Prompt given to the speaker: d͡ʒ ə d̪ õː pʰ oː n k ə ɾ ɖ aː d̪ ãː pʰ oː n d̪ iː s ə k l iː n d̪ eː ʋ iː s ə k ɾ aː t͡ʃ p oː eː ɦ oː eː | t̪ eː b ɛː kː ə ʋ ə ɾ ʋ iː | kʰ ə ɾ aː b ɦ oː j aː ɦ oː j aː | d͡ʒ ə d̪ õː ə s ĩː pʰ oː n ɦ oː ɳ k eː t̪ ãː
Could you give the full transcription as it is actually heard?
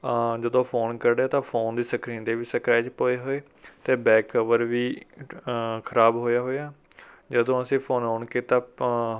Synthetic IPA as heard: d͡ʒ ə d̪ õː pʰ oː n k ə ɾ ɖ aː t̪ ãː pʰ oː n d̪ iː s ə k ɾ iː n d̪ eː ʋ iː s ə k ɾ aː t͡ʃ p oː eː ɦ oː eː | t̪ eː b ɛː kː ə ʋ ə ɾ ʋ iː | kʰ ə ɾ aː b ɦ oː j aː ɦ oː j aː | d͡ʒ ə d̪ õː ə s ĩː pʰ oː n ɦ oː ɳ k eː t̪ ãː